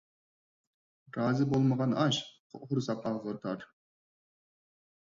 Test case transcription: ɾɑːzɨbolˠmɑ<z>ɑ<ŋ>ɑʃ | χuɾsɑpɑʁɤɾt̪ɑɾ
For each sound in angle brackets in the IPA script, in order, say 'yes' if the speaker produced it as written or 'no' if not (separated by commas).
no, no